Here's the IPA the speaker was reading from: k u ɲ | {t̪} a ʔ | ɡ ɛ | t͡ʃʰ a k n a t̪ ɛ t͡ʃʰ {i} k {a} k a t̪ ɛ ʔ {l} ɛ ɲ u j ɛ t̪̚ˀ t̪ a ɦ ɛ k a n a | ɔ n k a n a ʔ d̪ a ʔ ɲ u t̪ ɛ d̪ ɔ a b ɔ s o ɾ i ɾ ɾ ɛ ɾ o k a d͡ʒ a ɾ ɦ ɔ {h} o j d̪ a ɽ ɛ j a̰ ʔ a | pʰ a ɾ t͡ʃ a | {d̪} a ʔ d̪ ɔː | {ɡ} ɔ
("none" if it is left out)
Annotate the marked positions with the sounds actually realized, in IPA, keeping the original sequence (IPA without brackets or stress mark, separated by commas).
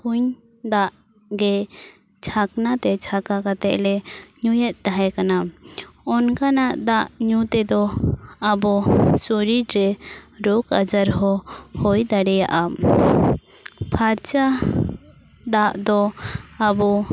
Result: d̪, a, a, l, h, d̪, b